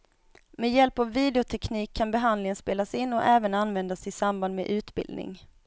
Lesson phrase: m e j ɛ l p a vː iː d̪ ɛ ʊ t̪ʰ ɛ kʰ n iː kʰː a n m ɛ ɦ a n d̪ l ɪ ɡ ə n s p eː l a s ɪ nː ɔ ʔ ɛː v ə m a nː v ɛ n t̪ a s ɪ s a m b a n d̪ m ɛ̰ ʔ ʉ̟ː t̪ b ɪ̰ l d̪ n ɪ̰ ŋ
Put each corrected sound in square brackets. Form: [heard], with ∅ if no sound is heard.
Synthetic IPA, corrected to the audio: m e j ɛ l p a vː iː d̪ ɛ ʊ t̪ʰ ɛ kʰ n iː kʰː a n [b] ɛ ɦ a n d̪ l ɪ [ŋ] ə n s p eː l a s ɪ nː ɔ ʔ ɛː v ə [n] a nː v ɛ n [d̪] a s ɪ s a m b a n d̪ m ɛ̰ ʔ ʉ̟ː t̪ b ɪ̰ l d̪ n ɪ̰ ŋ